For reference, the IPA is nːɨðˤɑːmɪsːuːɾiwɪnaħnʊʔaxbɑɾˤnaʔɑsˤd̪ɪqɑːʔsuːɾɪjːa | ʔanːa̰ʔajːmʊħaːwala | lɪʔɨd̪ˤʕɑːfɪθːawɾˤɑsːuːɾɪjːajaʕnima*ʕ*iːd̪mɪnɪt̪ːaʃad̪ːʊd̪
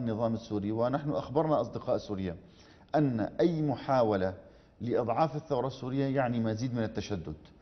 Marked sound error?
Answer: yes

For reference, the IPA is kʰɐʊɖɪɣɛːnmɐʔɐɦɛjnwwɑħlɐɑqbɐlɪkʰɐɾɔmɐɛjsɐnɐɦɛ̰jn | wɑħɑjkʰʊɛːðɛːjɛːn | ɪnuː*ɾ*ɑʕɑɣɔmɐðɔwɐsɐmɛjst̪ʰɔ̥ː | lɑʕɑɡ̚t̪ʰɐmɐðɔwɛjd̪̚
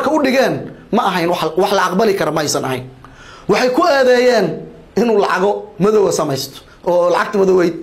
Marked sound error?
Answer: yes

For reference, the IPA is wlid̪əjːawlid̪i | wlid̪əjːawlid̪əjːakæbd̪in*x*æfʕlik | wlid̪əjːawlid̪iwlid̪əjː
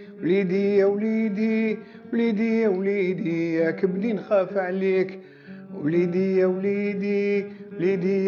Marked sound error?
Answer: no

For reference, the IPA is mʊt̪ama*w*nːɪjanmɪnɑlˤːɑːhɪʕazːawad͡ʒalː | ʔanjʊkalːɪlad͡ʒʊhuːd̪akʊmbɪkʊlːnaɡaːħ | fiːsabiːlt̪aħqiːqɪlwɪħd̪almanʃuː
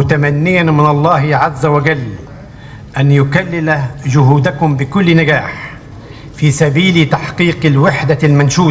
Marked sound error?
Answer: yes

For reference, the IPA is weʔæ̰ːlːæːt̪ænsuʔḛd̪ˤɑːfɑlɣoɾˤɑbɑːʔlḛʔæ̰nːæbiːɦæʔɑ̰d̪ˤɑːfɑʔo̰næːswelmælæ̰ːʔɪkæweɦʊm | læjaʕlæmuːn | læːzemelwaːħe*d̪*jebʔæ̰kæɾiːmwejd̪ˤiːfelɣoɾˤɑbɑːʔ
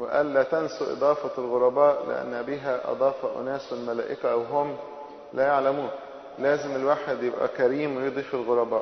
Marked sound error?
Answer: no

